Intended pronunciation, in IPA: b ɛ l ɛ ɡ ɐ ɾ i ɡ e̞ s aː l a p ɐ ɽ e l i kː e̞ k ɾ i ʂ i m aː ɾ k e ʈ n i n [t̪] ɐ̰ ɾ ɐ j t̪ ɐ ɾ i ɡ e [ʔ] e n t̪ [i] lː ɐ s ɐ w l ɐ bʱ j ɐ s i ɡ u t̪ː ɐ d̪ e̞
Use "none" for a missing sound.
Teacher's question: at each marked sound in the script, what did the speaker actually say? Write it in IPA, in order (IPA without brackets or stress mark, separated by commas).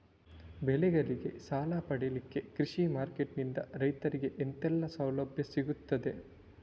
d̪, ʔ, ɛ